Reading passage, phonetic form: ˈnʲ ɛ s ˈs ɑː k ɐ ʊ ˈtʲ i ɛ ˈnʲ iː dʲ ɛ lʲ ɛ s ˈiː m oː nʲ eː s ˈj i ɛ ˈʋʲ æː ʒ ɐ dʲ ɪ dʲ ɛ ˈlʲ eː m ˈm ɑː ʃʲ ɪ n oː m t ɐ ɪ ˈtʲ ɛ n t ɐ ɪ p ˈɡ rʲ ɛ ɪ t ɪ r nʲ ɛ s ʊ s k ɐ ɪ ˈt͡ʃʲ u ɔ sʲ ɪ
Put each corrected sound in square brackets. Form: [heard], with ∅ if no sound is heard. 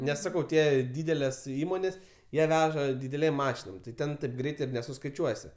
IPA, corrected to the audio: ˈnʲ ɛ s ˈs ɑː k ɐ ʊ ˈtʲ i ɛ [ˈdʲ] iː dʲ ɛ lʲ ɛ s ˈiː m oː nʲ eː s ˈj i ɛ ˈʋʲ æː ʒ ɐ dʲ ɪ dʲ ɛ ˈlʲ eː m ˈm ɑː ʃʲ ɪ n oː m t ɐ ɪ ˈtʲ ɛ n t ɐ ɪ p ˈɡ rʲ ɛ ɪ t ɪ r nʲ ɛ s ʊ s k ɐ ɪ ˈt͡ʃʲ u ɔ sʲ ɪ